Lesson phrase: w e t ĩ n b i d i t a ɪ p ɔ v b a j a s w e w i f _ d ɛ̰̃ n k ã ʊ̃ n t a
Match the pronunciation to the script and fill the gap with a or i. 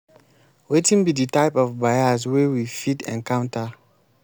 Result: i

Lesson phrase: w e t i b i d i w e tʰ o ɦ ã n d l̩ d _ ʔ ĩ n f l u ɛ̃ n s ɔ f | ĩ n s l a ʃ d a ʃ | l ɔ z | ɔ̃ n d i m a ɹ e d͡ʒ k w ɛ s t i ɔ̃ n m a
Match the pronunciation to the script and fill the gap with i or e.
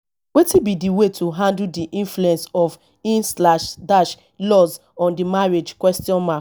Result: i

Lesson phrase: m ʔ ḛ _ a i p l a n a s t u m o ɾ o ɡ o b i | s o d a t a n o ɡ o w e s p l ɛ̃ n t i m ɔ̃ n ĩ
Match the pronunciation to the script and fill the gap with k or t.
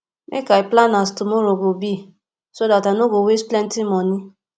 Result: k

